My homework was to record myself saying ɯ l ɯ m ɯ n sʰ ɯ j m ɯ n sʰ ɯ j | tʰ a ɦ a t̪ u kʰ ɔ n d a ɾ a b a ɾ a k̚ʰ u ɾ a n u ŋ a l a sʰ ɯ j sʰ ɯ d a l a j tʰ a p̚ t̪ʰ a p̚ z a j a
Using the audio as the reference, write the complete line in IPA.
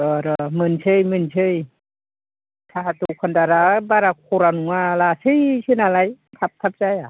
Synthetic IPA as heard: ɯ ɾ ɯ m ɯ n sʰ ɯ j m ɯ n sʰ ɯ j | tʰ a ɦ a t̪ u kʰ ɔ n d a ɾ a b a ɾ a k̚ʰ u ɾ a n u ŋ a l a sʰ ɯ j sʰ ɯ n a l a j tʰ a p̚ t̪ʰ a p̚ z a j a